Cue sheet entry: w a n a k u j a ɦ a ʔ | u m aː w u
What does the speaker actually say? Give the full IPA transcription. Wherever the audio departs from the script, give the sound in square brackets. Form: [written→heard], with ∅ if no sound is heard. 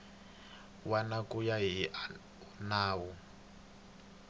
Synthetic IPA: w a n a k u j a ɦ [a→i] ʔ | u [m→n] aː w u